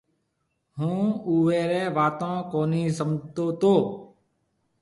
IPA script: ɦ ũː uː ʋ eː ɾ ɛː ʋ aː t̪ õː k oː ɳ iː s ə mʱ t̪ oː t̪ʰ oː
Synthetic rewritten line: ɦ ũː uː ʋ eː ɾ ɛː ʋ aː t̪ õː k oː n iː s ə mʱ t̪ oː t̪ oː